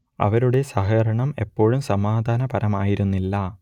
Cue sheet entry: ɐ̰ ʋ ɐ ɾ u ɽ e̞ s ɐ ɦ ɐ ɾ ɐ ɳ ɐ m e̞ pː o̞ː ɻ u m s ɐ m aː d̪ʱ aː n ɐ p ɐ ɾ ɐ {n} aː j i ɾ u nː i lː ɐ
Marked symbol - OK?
no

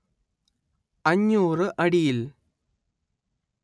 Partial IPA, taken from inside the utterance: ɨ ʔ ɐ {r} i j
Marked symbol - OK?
no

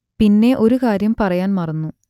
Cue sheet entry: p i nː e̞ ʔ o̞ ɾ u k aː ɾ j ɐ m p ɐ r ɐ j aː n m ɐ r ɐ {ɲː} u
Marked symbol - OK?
no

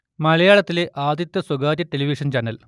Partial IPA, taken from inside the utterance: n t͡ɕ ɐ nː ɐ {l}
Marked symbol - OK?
yes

